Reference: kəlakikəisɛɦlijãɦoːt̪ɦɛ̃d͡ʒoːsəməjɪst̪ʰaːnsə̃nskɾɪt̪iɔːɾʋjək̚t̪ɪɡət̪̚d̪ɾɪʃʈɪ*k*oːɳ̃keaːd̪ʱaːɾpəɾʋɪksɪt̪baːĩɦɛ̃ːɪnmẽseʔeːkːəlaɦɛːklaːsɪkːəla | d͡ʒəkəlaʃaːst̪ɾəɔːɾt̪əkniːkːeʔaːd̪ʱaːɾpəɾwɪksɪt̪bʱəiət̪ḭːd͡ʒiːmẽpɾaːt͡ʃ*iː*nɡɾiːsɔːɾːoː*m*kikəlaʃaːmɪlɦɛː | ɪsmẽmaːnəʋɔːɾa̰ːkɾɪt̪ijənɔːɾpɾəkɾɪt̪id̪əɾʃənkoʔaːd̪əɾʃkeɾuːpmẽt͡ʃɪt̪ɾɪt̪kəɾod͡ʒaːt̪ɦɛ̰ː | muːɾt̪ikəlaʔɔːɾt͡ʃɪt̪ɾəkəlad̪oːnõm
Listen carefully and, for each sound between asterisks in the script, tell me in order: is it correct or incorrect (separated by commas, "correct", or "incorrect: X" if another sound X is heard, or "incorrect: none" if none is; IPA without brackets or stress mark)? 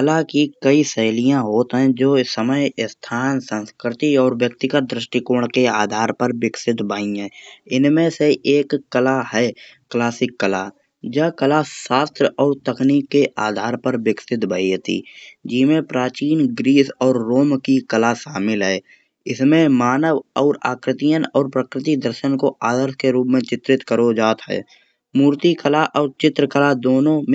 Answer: correct, correct, correct